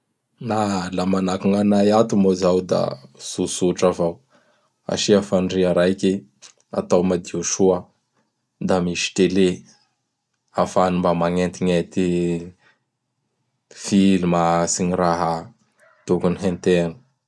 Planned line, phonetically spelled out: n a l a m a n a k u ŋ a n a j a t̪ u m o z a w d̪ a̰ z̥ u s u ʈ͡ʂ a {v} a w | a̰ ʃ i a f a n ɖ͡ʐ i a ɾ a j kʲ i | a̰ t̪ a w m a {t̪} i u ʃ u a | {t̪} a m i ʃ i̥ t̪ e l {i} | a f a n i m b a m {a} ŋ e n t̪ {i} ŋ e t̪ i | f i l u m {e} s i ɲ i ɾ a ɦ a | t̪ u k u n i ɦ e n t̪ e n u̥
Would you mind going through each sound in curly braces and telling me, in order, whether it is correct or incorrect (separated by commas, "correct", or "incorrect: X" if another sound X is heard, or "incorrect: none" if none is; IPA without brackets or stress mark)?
correct, incorrect: d̪, incorrect: d̪, incorrect: e, correct, correct, incorrect: a